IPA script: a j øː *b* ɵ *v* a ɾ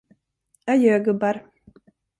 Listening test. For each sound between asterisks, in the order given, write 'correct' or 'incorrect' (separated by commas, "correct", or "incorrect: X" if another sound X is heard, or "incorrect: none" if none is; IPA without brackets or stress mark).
incorrect: ɡ, incorrect: b